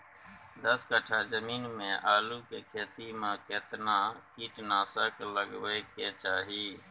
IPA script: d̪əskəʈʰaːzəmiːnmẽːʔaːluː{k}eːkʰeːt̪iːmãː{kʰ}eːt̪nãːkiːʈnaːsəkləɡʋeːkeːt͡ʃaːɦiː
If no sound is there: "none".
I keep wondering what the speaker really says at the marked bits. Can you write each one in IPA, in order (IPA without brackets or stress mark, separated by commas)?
k, k